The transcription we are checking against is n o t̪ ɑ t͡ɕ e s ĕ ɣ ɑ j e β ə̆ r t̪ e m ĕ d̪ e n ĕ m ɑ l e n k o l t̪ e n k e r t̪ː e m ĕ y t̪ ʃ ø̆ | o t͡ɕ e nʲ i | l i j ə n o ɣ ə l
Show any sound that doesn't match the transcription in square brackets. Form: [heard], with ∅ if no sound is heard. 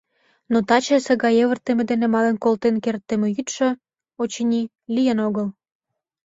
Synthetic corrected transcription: n o t̪ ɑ t͡ɕ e s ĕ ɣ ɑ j e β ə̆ r t̪ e m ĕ d̪ e n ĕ m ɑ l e n k o l t̪ e n k e r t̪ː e m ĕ y t̪ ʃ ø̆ | o t͡ɕ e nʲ i | l i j ə n o ɣ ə l